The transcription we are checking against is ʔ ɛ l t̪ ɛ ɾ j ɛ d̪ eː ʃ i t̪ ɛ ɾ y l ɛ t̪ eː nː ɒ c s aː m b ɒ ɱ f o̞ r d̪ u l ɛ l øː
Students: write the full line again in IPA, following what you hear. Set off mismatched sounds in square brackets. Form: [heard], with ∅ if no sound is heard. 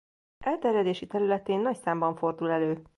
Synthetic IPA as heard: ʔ ɛ l t̪ ɛ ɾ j ɛ d̪ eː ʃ i t̪ ɛ ɾ y l ɛ t̪ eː nː ɒ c s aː m b ɒ ɱ f o̞ r d̪ u l ɛ l øː